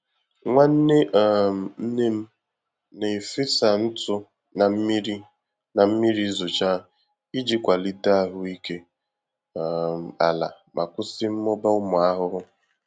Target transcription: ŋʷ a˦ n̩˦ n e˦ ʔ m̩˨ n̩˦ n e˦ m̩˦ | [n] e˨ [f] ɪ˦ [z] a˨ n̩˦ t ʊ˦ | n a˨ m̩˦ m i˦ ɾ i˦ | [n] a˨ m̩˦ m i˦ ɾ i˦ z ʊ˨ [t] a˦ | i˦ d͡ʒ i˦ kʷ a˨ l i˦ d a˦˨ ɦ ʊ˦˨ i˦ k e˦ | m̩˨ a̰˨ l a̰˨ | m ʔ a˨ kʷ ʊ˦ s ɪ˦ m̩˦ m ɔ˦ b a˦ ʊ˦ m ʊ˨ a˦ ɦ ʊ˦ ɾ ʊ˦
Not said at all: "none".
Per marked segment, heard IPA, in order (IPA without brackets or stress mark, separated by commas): n, f, s, n, t͡ʃ